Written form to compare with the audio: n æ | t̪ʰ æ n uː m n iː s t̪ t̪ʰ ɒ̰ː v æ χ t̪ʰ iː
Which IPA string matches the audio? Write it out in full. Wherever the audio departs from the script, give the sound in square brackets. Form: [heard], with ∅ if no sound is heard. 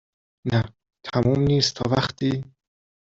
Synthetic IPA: n æ | t̪ʰ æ [m] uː m n iː s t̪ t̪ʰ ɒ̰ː v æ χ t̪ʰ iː